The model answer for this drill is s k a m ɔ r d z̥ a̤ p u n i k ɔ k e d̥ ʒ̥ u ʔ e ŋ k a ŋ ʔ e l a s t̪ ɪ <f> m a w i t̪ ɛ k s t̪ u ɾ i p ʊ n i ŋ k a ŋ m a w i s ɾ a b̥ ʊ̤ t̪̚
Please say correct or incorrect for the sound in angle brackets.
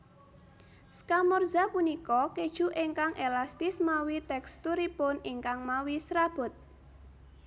incorrect